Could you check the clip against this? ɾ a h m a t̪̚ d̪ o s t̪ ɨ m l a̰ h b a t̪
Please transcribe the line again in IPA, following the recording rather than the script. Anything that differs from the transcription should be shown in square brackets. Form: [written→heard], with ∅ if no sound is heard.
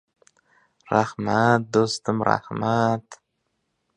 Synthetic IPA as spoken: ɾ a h m a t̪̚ d̪ o s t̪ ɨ m [l→ɾ] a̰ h [b→m] a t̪